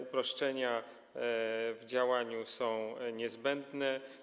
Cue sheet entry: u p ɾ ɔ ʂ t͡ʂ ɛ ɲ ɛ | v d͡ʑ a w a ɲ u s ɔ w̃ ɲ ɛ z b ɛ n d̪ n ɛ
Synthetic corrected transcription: u p ɾ ɔ ʂ t͡ʂ ɛ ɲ a | v d͡ʑ a w a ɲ u s ɔ̃ w̃ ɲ ɛ z b ɛ n d̪ n ɛ